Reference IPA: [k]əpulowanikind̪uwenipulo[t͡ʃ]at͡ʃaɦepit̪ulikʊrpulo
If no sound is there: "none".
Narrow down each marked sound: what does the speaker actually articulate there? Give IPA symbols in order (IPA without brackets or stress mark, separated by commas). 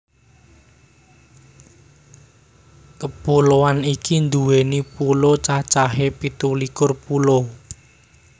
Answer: k, t͡ʃ